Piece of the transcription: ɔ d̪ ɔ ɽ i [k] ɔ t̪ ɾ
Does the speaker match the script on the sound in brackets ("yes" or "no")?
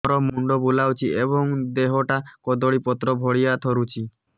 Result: no